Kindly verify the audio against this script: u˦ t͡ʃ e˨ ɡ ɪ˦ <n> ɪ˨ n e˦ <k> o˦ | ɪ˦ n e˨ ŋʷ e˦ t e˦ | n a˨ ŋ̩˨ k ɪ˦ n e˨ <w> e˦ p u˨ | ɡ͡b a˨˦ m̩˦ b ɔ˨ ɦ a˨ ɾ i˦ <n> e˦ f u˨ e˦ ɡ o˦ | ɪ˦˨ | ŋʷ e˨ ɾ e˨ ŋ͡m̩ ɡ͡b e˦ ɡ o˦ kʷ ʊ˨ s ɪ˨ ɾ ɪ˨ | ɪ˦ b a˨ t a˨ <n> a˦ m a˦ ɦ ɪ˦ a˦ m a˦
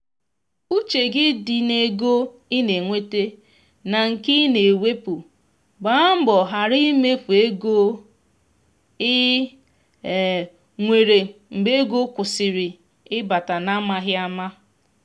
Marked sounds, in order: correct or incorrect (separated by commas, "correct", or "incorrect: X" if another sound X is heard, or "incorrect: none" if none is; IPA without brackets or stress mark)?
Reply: incorrect: d, incorrect: ɡ, correct, incorrect: m, correct